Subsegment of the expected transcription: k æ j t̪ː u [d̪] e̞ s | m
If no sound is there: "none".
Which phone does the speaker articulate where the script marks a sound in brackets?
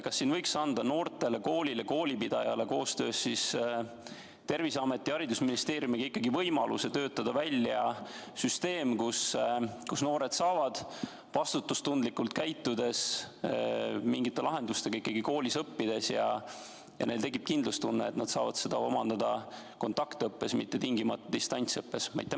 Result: d̪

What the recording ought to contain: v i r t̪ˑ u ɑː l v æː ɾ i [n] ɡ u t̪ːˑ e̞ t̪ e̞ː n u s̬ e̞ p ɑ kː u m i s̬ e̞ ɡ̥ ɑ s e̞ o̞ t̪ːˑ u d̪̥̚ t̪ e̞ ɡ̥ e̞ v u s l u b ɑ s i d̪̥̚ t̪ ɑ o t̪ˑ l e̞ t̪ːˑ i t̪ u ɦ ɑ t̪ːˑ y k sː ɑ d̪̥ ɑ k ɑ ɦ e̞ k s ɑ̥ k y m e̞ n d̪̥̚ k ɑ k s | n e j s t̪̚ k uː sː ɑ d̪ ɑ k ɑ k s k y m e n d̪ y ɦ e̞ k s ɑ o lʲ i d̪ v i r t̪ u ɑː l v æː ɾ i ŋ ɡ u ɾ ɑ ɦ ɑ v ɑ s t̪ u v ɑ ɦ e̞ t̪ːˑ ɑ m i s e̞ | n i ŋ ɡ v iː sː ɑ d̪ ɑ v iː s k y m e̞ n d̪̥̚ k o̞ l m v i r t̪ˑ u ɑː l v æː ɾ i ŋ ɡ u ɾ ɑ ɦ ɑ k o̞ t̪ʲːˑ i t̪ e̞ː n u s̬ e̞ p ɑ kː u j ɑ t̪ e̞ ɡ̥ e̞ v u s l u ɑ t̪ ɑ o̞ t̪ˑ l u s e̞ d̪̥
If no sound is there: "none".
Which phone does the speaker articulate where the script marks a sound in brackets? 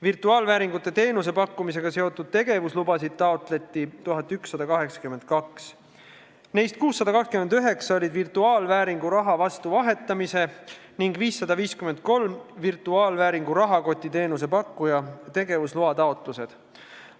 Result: ŋ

